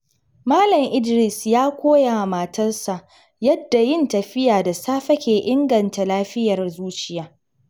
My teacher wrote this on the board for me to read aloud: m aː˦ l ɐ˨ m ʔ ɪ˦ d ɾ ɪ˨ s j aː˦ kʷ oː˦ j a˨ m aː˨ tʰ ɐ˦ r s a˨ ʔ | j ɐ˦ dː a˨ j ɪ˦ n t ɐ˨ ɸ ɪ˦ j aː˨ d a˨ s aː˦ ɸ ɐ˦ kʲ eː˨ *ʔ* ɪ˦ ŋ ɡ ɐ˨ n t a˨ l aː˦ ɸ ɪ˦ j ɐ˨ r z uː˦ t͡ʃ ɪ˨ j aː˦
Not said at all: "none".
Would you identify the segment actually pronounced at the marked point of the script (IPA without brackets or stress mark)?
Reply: ʔ